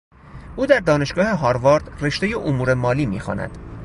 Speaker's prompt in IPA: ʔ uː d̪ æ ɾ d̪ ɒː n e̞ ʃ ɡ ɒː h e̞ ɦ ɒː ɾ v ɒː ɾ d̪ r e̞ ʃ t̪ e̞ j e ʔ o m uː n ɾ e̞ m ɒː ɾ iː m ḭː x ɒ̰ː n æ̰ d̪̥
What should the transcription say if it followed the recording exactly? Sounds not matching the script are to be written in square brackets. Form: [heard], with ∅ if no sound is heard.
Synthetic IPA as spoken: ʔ uː d̪ æ ɾ d̪ ɒː n e̞ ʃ ɡ ɒː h e̞ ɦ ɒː ɾ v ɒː ɾ d̪ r e̞ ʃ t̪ e̞ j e ʔ o m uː [∅] ɾ e̞ m ɒː [l] iː m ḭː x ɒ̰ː n æ̰ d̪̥